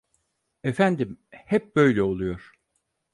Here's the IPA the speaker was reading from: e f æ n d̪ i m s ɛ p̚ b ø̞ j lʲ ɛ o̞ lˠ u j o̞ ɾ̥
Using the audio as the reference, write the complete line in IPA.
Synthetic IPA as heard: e f æ n d̪ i m h ɛ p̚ b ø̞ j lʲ ɛ o̞ lˠ u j o̞ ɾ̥